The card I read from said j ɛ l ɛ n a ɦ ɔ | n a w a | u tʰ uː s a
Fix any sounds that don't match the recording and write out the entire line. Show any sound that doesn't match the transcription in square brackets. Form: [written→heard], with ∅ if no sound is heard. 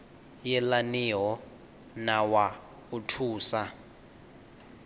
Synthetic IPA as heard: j ɛ l [ɛ→a] n [a→i] ɦ ɔ | n a w a | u tʰ uː s a